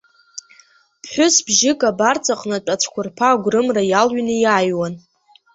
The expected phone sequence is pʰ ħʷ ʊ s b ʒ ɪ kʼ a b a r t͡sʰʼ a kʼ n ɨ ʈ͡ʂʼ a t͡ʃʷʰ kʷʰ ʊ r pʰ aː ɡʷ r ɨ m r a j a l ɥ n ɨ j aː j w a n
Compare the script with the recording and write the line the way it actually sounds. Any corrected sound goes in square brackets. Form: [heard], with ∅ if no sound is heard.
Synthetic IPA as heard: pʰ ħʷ ʊ s b ʒ ɪ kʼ a b a r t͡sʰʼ a [qʼ] n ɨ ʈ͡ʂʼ a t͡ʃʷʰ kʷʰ ʊ r pʰ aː ɡʷ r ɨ m r a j a l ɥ n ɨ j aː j w a n